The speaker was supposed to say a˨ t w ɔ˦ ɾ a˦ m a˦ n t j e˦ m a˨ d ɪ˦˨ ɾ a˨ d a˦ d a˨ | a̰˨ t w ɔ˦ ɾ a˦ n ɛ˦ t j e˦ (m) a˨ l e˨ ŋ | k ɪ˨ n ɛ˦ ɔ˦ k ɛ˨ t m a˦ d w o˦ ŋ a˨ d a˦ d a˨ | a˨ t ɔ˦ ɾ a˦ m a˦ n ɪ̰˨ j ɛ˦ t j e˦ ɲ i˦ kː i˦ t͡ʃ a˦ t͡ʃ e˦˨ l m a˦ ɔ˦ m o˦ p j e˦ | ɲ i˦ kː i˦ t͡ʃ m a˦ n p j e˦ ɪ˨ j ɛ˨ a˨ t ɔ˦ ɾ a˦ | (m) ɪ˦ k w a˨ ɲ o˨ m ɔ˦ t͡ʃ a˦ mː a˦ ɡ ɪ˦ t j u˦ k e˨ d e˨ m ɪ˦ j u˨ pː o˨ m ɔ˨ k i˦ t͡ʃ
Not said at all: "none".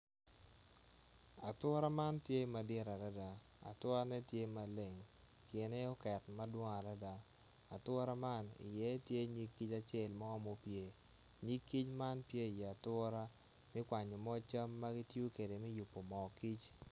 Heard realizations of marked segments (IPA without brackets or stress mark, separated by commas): m, m